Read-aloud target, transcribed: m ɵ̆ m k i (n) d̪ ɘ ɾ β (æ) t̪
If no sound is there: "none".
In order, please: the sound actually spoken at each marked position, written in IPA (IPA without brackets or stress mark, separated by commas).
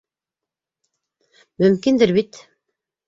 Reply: n, i